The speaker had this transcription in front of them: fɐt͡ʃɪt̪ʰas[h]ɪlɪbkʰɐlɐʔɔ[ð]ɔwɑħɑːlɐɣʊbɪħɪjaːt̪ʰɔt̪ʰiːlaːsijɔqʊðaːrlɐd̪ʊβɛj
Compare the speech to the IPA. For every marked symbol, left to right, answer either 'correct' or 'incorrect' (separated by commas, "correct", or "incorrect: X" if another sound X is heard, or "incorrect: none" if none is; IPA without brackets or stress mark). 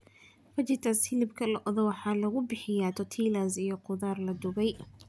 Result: correct, correct